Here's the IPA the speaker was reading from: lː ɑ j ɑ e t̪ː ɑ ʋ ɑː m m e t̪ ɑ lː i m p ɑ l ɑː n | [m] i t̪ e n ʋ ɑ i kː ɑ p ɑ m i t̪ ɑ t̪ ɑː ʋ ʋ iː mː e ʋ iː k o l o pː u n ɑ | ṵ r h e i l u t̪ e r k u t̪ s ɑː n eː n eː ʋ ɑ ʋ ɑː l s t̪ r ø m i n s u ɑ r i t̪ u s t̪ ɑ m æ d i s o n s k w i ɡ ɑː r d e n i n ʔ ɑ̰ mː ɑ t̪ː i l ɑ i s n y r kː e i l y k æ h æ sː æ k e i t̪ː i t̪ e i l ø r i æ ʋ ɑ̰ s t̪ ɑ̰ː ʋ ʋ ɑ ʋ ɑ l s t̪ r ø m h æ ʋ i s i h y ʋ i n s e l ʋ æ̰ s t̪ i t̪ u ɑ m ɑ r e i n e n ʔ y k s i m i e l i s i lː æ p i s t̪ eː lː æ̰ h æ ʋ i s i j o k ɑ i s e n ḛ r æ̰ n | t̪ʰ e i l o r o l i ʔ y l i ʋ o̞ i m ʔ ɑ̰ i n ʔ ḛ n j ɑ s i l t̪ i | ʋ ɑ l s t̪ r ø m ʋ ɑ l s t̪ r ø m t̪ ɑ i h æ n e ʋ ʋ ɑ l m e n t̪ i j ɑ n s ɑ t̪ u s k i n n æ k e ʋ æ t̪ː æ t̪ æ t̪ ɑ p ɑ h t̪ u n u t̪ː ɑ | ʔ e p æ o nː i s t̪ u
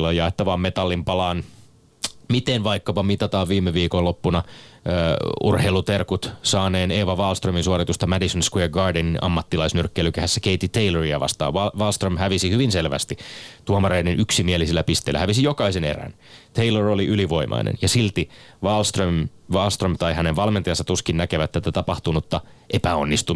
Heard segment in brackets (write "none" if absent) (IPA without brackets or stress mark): m